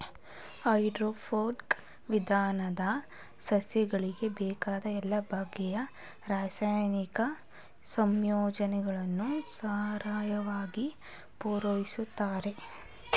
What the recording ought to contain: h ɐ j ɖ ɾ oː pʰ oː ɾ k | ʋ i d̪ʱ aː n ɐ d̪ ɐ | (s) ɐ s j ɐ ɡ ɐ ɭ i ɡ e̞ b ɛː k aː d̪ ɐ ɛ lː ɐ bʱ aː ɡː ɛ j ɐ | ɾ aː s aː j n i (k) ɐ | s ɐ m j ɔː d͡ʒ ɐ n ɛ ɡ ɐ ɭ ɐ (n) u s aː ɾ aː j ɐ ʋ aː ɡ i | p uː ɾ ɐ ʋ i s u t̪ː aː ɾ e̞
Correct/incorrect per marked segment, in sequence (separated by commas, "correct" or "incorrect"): correct, correct, incorrect